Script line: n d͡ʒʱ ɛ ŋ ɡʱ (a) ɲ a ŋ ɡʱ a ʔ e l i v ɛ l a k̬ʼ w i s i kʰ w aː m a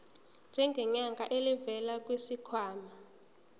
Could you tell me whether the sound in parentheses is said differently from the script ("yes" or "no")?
yes